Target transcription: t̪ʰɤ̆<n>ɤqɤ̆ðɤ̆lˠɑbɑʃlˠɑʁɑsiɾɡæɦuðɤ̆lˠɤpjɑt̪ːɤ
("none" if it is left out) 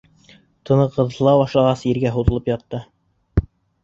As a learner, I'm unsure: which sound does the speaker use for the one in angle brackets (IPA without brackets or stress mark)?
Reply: n